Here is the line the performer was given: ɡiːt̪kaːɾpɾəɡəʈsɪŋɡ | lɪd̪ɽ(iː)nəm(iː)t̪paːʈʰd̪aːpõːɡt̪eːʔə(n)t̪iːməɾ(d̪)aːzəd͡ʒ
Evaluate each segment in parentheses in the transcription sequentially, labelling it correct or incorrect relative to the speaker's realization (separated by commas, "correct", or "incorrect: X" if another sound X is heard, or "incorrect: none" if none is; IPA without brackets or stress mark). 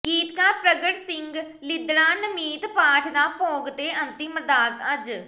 incorrect: aː, correct, correct, correct